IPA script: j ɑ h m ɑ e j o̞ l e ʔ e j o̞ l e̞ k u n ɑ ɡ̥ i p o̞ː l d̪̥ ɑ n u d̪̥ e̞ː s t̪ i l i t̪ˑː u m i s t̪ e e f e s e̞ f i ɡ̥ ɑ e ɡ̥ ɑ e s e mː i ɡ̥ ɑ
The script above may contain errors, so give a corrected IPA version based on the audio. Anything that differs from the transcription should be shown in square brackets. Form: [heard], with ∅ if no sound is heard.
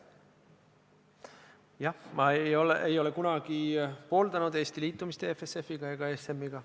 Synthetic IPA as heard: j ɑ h m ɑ e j o̞ l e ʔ e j o̞ l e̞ k u n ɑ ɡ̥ i p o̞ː l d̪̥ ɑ n u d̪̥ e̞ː s t̪ i l [iː] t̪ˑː u m i s t̪ e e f e s e̞ f i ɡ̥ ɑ e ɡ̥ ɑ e s e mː i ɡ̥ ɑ